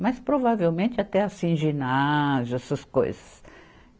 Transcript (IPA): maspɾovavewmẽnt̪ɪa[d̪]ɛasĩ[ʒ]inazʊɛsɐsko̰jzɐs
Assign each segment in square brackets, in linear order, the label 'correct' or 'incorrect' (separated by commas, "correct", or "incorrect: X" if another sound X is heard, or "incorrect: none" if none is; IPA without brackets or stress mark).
incorrect: t̪, correct